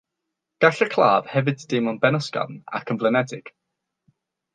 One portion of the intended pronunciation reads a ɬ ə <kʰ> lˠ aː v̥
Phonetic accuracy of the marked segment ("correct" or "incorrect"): correct